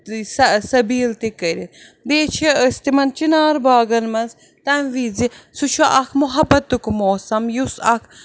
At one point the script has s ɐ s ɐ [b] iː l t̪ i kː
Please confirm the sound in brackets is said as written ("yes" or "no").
yes